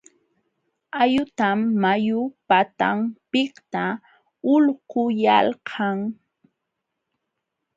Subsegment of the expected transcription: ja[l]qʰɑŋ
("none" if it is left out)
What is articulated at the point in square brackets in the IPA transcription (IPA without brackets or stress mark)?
l